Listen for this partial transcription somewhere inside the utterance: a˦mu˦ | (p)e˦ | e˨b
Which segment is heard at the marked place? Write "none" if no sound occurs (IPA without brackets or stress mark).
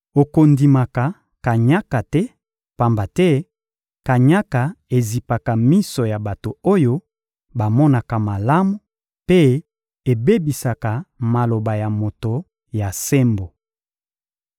p